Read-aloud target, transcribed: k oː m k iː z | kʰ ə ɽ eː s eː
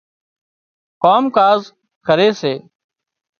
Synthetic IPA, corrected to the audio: k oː m k aː z | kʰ ə ɾ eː s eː